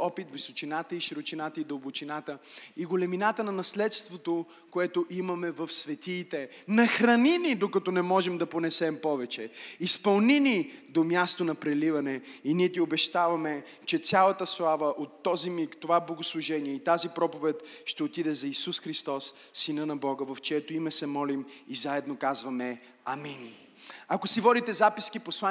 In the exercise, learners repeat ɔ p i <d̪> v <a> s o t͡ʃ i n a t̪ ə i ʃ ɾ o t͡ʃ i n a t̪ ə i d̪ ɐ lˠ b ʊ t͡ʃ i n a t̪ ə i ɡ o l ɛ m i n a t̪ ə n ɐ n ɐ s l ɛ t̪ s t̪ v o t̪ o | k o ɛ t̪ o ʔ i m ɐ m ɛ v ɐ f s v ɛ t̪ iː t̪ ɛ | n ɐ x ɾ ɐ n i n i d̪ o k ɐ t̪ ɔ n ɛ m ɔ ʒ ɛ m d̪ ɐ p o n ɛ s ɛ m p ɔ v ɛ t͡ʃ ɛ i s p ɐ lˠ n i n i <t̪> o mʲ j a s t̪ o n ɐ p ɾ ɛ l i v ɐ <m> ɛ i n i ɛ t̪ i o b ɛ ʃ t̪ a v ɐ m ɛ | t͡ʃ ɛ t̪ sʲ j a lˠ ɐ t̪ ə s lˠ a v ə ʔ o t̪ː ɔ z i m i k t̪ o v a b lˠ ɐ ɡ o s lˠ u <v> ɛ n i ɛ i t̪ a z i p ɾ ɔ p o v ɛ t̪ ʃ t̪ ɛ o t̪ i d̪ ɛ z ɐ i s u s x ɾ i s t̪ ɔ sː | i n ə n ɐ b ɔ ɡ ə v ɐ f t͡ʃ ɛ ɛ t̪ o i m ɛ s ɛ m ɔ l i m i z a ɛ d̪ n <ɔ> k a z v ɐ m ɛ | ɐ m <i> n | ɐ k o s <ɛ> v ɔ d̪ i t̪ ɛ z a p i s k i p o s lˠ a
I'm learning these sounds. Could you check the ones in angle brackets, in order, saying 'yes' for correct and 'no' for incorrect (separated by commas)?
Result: no, no, no, no, no, no, yes, no